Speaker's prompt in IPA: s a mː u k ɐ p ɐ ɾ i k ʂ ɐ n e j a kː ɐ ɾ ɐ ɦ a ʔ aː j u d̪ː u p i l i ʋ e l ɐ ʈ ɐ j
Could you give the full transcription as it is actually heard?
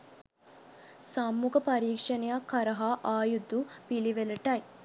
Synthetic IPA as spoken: s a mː u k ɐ p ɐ ɾ iː k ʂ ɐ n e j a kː ɐ ɾ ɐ ɦ a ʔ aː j u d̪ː u p i l i ʋ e l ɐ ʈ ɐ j